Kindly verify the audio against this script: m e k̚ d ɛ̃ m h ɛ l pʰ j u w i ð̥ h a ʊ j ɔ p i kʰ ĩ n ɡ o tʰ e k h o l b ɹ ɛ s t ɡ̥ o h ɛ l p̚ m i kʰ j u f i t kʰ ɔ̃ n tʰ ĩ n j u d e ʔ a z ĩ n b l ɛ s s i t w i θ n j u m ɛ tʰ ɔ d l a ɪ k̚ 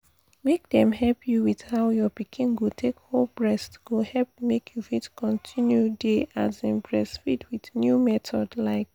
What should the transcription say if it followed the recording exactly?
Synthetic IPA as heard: m e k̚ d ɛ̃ m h ɛ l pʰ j u w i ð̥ h a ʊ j ɔ p i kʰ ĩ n ɡ o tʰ e k h o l b ɹ ɛ s t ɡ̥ o h ɛ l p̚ m e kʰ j u f i t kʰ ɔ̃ n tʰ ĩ n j u d e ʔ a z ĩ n b ɹ ɛ s f i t w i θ n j u m ɛ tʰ ɔ d l a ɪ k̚